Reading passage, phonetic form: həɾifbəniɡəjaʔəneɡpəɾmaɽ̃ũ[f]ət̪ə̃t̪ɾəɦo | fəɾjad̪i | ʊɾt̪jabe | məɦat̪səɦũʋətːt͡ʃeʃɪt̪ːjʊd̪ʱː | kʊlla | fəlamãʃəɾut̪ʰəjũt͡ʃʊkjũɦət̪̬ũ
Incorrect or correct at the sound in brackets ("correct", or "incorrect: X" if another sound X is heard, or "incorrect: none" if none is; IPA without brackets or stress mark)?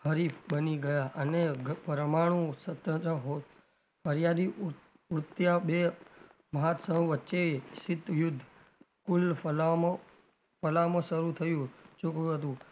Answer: incorrect: s